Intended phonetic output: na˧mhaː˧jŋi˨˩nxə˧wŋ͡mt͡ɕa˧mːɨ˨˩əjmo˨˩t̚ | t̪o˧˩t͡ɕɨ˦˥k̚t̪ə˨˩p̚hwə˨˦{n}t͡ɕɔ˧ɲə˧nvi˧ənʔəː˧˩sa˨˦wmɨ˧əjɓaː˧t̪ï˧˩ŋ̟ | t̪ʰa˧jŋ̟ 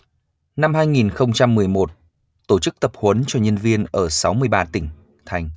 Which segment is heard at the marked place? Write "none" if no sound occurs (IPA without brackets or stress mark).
n